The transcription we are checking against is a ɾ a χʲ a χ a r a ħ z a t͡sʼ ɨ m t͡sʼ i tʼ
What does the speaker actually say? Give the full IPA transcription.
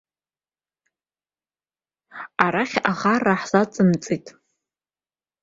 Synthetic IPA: a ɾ a χʲ a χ a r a ħ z a t͡sʼ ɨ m t͡sʼ i tʼ